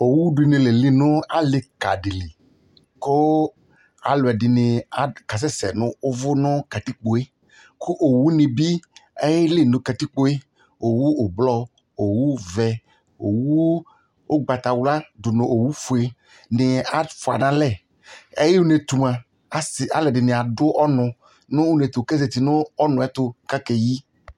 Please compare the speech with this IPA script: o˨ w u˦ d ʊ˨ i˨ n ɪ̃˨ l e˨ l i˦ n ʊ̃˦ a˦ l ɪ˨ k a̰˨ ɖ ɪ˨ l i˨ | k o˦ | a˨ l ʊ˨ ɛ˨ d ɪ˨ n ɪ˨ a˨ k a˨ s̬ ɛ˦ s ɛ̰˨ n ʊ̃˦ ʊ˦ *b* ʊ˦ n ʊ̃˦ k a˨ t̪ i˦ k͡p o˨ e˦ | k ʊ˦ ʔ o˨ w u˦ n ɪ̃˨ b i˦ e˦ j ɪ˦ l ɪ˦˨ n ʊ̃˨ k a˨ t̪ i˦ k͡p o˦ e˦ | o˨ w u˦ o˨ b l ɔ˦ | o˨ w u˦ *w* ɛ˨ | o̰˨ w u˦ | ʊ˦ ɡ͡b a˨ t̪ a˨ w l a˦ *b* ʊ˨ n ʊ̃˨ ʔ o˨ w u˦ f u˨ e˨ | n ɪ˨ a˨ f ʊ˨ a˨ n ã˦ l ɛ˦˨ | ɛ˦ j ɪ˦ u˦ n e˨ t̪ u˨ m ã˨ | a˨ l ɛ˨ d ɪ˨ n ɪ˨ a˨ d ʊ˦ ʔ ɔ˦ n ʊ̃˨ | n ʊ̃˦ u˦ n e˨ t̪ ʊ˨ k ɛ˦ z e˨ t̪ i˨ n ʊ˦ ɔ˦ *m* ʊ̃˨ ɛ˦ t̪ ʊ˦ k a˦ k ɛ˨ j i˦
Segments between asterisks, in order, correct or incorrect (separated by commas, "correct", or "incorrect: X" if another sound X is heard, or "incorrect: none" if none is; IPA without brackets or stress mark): incorrect: v, incorrect: v, incorrect: d, incorrect: n